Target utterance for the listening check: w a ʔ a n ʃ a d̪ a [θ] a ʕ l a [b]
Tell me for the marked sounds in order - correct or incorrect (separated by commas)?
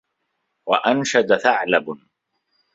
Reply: correct, correct